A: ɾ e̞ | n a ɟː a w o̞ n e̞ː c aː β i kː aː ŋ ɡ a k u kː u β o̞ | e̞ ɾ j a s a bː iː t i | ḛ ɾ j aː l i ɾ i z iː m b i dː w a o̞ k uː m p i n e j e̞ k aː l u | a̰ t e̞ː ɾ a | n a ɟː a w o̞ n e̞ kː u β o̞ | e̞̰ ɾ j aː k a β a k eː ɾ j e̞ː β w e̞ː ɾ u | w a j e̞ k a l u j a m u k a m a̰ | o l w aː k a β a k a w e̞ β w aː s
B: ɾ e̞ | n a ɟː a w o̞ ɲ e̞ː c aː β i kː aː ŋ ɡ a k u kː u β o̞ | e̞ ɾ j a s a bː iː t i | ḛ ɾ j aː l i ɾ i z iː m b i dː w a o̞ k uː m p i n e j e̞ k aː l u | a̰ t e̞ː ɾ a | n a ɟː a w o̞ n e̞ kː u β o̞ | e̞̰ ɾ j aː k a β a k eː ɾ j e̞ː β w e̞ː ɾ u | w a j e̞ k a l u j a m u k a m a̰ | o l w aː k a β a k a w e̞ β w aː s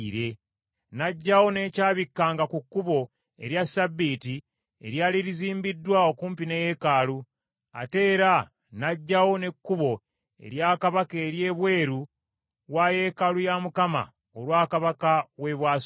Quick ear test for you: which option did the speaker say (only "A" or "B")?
A